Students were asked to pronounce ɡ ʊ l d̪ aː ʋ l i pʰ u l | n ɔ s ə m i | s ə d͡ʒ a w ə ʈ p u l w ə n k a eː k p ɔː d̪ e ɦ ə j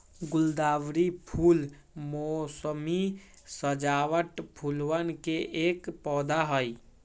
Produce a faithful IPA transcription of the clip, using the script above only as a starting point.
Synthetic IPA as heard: ɡ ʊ l d̪ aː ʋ ɾ i pʰ u l | m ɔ s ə m i | s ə d͡ʒ a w ə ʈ pʰ u l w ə n k e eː k p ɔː d̪ a ɦ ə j